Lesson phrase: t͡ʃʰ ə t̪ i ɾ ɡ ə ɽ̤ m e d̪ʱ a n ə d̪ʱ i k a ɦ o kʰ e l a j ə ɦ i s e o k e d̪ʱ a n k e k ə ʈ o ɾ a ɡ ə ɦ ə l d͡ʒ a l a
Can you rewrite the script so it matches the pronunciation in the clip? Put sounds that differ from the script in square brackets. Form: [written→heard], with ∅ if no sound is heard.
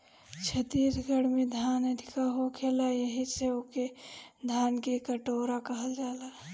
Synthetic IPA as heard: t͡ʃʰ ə t̪ i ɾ ɡ ə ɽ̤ m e d̪ʱ a n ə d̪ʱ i k a ɦ o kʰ e l a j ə ɦ i s e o k e d̪ʱ a n k e k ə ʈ o ɾ a [ɡ→k] ə ɦ ə l d͡ʒ a l a